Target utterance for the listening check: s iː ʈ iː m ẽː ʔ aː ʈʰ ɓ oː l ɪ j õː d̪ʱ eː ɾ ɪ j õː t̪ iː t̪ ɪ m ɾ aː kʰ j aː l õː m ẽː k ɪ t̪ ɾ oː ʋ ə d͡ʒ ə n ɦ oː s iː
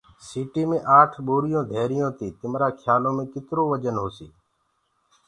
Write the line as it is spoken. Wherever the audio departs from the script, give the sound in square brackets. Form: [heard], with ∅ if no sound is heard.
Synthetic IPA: s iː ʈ iː m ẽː ʔ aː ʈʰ ɓ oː [ɾ] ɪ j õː d̪ʱ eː ɾ ɪ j õː t̪ iː t̪ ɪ m ɾ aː kʰ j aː l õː m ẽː k ɪ t̪ ɾ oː ʋ ə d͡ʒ ə n ɦ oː s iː